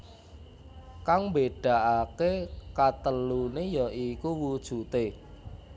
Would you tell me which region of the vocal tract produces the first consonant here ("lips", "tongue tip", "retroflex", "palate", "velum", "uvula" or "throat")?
velum